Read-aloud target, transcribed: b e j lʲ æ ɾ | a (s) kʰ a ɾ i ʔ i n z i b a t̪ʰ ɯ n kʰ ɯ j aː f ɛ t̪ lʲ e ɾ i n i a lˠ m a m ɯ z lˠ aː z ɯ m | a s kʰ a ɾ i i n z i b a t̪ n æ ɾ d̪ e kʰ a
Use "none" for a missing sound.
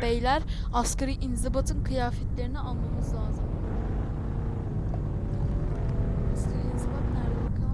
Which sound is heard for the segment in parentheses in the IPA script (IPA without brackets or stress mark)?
s